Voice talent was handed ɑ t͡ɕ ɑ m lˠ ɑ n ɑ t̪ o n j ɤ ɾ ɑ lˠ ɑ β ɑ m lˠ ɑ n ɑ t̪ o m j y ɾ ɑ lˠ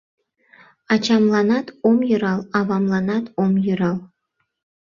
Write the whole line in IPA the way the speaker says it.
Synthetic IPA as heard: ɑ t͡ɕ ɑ m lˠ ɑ n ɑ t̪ o m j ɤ ɾ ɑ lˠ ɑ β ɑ m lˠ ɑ n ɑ t̪ o m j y ɾ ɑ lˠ